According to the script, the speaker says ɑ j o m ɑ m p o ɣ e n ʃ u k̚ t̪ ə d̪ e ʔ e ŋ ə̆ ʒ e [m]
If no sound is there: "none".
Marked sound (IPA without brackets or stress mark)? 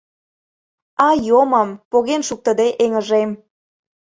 m